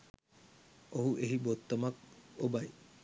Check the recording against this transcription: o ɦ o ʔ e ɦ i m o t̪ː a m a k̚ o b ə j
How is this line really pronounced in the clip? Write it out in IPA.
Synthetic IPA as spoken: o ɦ u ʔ e ɦ i b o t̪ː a m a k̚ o b a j

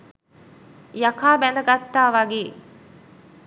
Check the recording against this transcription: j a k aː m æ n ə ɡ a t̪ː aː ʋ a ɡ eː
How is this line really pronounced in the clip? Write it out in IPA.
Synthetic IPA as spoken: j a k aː b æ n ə ɡ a t̪ː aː ʋ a ɡ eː

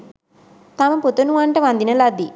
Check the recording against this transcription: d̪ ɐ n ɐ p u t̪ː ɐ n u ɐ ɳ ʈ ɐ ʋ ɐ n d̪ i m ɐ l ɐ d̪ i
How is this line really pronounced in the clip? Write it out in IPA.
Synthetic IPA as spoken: t̪ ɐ m ɐ p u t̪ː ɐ n u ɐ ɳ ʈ ɐ ʋ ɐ n d̪ i n ɐ l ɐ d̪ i

